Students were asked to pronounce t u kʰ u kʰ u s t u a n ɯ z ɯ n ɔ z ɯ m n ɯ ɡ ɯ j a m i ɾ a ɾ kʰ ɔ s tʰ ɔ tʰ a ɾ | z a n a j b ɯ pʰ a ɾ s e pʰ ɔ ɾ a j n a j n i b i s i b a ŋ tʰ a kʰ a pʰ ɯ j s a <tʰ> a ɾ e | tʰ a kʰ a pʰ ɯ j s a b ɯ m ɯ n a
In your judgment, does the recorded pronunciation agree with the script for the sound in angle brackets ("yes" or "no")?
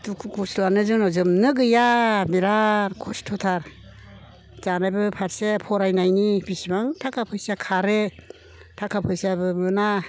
no